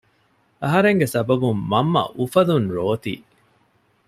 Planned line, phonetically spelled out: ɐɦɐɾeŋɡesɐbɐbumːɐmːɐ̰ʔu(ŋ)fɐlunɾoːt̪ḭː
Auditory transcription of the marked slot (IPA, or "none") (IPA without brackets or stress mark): none